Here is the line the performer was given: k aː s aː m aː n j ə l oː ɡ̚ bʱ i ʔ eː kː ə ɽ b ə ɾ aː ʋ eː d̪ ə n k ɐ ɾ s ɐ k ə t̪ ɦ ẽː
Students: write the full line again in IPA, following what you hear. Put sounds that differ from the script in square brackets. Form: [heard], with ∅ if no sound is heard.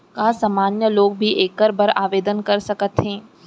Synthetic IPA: k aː s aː m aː n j ə l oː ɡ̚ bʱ i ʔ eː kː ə [ɾ] b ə ɾ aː ʋ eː d̪ ə n k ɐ ɾ s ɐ k ə t̪ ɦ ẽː